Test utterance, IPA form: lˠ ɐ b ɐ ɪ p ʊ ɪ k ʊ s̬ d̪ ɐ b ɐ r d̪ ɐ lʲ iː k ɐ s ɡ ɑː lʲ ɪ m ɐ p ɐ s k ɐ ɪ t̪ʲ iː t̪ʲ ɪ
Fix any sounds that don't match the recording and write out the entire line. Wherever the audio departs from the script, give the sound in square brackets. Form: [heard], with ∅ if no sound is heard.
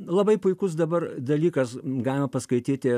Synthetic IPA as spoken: lˠ ɐ b ɐ ɪ p ʊ ɪ k ʊ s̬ d̪ ɐ b ɐ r d̪ ɐ lʲ iː k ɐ s ɡ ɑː lʲ ɪ m ɐ p ɐ s k ɐ ɪ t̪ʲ iː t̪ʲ ɪ